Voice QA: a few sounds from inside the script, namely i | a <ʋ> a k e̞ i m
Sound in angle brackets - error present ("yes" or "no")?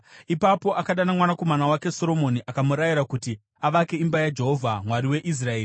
no